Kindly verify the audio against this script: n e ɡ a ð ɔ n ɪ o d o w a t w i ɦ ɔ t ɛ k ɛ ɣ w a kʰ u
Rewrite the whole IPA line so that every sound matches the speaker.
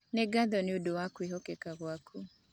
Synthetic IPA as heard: n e ɡ a ð ɔ n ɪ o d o w a k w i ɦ ɔ k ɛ k a ɣ w a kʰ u